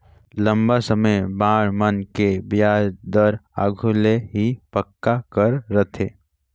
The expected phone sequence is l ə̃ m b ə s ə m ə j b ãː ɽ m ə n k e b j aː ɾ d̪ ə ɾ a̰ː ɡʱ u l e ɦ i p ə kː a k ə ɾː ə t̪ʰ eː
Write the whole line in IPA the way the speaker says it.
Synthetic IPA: l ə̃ m b a s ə m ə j b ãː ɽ m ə n k e b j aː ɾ d̪ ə ɾ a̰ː ɡʱ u l e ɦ i p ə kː a k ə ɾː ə t̪ʰ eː